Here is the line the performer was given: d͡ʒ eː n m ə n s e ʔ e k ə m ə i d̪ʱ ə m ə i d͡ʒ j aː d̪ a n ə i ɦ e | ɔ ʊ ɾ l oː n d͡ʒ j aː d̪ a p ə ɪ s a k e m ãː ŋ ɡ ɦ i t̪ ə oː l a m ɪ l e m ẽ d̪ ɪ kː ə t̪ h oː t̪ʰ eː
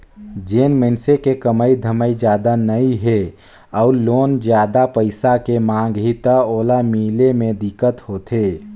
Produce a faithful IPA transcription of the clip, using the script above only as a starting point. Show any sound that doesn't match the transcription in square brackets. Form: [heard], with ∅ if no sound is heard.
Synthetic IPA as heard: d͡ʒ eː n m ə n s e [k] e k ə m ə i d̪ʱ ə m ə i d͡ʒ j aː d̪ a n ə i ɦ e | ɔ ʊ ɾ l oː n d͡ʒ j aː d̪ a p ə ɪ s a k e m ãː ŋ ɡ ɦ i t̪ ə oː l a m [i] l e m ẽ d̪ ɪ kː ə t̪ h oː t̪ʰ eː